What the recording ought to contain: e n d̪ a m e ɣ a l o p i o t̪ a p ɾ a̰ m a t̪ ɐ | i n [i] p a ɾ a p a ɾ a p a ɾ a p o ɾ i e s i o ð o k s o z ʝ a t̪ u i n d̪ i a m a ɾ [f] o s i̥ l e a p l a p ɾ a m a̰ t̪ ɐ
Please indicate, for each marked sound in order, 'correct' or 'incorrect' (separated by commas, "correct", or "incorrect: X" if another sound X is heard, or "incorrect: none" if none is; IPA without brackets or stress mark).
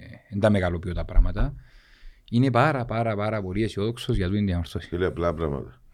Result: incorrect: e, incorrect: θ